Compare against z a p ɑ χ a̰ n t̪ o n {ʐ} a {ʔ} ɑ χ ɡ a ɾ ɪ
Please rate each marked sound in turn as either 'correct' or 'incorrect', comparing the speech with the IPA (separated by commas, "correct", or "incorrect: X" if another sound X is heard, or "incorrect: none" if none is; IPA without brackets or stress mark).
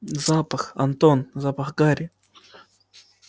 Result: incorrect: z, incorrect: p